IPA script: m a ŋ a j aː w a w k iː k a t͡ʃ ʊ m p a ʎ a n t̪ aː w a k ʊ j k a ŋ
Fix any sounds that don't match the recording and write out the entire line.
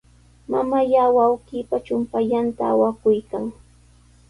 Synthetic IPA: m a m a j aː w a w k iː p a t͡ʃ ʊ m p a ʎ a n t̪ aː w a k ʊ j k a ŋ